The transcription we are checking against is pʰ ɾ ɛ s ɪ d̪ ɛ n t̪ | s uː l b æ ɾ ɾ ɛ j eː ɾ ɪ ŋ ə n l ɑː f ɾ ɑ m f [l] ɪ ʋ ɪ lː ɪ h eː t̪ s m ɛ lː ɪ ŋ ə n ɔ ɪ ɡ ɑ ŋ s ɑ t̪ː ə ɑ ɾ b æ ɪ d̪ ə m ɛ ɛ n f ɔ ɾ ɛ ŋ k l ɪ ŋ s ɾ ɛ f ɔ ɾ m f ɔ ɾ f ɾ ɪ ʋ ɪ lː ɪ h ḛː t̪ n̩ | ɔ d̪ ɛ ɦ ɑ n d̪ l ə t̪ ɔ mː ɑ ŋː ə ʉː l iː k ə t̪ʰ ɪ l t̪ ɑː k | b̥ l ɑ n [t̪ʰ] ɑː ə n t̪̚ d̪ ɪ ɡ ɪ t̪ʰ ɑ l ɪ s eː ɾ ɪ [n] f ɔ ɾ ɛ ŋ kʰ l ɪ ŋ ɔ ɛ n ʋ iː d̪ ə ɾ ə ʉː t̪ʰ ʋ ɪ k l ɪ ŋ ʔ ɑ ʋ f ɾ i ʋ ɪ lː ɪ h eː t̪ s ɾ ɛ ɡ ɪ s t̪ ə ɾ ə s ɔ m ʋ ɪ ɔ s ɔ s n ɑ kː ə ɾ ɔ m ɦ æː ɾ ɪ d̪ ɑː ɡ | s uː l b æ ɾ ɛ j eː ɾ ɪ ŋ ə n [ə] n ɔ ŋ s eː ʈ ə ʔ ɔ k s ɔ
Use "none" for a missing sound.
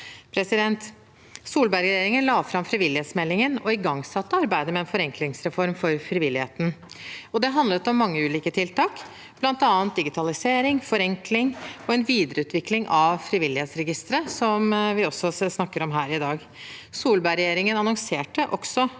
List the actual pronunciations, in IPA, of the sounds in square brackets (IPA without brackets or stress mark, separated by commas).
ɾ, t̪, ŋ, ɑ